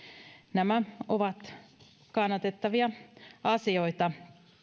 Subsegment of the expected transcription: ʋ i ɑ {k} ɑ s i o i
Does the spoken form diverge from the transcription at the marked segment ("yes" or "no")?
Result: yes